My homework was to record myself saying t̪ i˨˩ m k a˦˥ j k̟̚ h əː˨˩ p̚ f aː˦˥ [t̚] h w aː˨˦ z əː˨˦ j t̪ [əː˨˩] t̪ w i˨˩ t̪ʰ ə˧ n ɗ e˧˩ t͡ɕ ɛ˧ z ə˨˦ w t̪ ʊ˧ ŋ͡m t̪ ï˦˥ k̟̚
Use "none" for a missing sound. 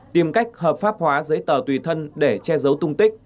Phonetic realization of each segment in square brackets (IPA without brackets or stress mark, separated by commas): p̚, əː˨˩